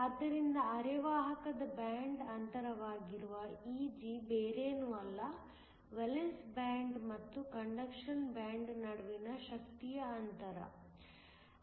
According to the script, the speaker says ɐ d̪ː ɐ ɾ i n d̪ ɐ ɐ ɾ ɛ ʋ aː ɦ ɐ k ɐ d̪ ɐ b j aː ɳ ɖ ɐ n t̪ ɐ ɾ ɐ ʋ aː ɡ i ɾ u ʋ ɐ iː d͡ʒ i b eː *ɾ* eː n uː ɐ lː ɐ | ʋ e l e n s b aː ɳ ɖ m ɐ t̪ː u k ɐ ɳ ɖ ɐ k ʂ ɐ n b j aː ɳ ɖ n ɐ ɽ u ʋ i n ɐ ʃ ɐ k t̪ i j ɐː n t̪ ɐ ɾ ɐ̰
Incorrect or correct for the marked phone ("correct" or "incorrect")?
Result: correct